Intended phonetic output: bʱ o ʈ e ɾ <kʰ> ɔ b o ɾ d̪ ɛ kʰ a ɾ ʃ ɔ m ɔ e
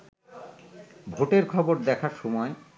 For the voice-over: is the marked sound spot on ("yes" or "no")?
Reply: yes